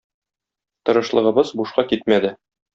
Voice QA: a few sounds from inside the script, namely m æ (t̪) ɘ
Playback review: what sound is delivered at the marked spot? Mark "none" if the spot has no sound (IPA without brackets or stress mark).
d̪